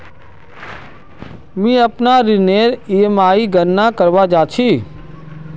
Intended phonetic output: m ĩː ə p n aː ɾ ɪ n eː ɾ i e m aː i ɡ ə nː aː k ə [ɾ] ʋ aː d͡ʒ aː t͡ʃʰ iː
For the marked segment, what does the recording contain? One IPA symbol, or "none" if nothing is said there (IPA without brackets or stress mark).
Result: ɾ